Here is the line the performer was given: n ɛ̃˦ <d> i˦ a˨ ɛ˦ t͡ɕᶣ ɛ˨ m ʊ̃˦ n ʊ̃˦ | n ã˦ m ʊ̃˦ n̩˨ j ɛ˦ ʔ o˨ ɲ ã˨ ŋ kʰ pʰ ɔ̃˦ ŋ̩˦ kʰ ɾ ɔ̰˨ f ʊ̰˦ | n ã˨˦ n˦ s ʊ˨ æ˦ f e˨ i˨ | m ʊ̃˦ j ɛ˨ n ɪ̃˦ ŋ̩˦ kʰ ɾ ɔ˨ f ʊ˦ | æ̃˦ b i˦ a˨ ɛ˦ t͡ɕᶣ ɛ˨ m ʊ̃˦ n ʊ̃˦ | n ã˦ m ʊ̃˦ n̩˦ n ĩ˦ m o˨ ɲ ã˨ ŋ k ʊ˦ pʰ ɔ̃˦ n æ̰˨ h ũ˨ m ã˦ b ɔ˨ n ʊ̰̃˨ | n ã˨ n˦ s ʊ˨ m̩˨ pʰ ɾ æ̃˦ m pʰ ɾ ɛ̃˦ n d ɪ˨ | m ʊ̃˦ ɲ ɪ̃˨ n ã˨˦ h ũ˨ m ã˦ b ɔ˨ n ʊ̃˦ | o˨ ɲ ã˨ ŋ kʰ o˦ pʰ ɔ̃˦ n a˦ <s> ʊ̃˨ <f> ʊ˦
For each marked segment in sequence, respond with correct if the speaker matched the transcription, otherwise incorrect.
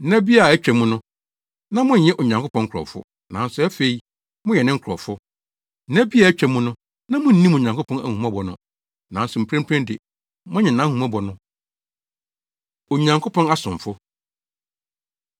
incorrect: b, correct, correct

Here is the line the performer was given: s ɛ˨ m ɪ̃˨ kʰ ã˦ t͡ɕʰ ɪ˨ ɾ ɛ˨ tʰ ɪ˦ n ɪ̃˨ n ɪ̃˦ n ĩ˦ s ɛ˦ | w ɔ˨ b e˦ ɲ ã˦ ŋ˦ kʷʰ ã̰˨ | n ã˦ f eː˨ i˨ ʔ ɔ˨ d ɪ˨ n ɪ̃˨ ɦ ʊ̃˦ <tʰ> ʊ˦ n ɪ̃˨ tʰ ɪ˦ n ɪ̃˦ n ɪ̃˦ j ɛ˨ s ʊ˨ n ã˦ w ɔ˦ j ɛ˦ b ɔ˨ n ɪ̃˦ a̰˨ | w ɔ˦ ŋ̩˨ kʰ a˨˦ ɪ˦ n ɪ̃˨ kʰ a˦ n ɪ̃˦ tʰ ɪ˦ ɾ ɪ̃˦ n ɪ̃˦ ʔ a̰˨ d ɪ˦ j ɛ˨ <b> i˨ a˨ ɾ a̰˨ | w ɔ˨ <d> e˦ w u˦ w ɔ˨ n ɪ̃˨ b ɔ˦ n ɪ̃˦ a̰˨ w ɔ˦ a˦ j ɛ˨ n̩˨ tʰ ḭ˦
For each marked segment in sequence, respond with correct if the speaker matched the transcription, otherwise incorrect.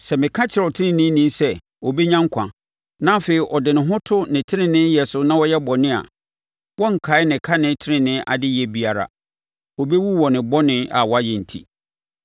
correct, correct, incorrect: b

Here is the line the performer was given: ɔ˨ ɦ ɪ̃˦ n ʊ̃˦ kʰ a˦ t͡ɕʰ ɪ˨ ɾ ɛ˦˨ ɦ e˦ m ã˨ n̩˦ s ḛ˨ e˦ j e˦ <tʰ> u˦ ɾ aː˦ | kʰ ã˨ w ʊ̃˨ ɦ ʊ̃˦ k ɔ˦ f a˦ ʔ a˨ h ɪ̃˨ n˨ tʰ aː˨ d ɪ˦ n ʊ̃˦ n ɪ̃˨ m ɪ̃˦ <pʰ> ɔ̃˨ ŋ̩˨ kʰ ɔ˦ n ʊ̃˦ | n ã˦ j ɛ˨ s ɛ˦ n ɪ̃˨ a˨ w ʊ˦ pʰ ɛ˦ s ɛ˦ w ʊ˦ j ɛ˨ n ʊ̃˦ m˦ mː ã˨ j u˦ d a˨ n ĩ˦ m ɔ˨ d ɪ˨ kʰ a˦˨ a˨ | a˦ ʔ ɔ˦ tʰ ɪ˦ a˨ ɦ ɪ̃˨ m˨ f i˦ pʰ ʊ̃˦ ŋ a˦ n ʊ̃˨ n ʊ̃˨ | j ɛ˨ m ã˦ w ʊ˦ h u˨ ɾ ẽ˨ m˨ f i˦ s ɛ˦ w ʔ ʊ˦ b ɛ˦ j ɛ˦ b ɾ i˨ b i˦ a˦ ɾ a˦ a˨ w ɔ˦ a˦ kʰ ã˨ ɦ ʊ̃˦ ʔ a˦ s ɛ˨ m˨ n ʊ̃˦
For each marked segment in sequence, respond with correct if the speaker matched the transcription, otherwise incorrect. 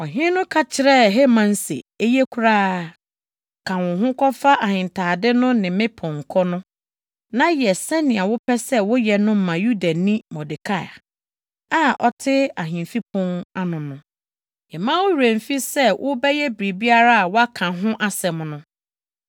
incorrect: kʰ, correct

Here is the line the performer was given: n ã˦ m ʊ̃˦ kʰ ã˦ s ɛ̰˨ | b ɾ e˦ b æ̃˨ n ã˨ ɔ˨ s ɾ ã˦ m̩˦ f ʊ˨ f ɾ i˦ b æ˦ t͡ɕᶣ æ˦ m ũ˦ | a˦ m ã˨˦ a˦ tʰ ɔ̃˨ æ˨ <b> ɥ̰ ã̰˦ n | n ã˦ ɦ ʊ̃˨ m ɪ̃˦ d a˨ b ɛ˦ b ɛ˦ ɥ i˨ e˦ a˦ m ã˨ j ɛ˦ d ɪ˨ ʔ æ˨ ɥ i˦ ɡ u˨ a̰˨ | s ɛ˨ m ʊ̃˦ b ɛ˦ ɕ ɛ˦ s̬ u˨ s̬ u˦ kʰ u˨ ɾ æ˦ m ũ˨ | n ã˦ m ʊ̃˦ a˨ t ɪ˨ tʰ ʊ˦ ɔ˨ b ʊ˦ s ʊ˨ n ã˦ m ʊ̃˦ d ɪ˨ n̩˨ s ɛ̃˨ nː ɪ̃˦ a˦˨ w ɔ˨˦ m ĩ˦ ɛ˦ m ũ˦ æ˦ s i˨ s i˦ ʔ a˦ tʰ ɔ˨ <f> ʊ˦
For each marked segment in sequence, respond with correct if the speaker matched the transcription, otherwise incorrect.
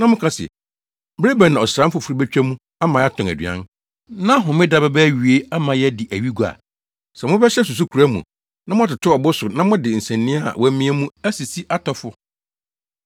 incorrect: d, correct

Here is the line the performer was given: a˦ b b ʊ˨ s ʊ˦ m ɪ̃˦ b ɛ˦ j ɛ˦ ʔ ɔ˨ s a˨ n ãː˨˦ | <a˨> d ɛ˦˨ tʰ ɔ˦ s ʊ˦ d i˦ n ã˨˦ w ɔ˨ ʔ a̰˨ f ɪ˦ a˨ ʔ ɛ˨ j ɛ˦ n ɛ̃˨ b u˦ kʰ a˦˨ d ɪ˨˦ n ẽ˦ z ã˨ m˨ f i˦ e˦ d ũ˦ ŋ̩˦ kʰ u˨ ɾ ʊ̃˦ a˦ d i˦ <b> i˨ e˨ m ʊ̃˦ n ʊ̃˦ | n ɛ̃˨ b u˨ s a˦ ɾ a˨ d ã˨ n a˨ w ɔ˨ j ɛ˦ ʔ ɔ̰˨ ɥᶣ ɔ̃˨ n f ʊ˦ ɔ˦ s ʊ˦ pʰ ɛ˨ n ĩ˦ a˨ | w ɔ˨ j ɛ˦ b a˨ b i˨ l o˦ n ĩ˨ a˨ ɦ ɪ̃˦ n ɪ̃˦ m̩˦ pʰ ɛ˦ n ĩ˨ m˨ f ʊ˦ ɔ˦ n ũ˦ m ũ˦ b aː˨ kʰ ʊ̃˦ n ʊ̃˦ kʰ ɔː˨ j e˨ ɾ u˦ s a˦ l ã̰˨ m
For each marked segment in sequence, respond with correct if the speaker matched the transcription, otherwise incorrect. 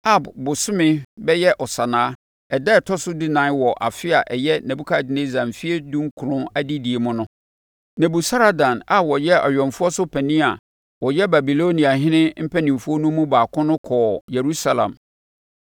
incorrect: ɛ˨, incorrect: d

